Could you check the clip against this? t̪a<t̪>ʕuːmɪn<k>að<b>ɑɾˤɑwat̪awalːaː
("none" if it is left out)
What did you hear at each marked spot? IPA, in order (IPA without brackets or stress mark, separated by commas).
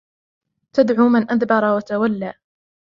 d̪, ʔ, b